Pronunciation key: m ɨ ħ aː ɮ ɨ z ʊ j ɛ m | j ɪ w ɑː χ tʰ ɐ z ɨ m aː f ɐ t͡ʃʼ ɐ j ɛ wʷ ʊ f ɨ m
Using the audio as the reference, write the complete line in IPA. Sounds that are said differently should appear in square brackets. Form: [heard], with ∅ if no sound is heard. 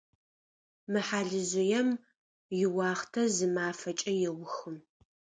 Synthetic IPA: m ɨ ħ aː ɮ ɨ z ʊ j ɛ m | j ɪ w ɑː χ tʰ ɐ z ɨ m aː f ɐ t͡ʃʼ ɐ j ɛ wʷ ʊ [x] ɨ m